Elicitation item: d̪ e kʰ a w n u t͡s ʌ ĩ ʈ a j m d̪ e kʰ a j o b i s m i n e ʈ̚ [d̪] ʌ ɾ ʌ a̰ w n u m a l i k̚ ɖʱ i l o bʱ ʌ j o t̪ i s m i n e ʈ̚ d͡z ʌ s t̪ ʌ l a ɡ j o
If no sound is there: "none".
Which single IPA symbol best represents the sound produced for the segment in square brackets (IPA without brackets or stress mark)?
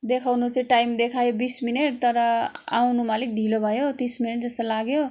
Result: t̪